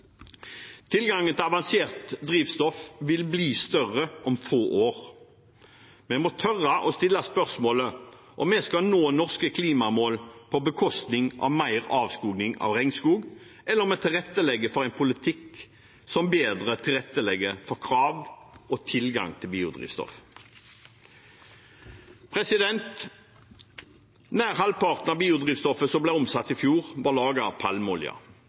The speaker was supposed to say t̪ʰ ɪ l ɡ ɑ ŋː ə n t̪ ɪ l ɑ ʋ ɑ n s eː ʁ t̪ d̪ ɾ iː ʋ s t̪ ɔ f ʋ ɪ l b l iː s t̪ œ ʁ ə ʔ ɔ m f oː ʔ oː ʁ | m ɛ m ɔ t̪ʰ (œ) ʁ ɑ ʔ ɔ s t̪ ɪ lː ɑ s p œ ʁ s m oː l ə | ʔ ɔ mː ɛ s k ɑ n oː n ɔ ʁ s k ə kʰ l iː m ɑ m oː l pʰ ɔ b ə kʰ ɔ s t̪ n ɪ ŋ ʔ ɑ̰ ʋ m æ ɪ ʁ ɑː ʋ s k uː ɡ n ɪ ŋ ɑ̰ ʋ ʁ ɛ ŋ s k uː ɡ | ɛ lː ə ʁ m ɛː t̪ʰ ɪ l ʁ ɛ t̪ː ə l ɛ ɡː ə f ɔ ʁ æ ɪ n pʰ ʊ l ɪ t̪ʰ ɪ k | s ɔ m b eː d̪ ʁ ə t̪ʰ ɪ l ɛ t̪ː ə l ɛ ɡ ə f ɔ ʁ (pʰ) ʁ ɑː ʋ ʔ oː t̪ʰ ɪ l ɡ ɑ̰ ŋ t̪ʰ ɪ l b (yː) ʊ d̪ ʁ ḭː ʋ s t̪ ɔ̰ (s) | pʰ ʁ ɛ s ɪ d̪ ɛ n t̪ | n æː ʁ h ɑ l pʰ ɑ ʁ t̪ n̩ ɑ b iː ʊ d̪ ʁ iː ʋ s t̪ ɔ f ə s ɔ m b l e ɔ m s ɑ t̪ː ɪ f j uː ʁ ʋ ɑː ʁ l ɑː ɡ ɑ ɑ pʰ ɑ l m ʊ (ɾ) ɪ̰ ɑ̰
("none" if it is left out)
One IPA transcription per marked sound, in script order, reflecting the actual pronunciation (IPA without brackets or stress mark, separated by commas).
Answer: œ, kʰ, iː, f, l